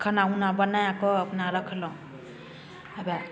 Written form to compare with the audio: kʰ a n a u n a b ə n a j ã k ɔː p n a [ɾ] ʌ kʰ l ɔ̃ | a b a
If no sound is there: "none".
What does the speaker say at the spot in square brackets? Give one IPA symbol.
ɾ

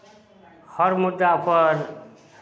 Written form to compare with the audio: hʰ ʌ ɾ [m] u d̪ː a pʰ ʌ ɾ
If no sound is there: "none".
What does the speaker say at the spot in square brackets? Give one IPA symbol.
m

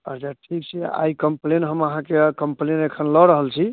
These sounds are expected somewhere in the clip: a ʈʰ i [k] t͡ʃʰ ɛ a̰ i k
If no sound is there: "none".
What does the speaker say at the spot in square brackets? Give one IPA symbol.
k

